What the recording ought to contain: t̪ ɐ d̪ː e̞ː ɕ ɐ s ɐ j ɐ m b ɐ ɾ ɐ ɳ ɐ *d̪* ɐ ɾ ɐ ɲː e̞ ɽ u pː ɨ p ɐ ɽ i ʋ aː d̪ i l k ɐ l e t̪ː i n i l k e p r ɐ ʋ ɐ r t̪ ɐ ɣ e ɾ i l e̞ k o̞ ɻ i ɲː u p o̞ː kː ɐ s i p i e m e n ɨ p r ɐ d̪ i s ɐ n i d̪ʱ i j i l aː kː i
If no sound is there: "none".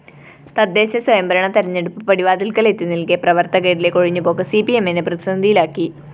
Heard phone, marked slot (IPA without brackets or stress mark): t̪